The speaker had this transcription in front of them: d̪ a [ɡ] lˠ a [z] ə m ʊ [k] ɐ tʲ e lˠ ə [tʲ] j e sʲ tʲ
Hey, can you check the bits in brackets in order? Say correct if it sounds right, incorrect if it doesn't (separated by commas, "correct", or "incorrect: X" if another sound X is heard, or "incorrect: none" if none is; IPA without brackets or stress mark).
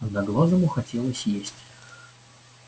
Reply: correct, correct, incorrect: x, incorrect: sʲ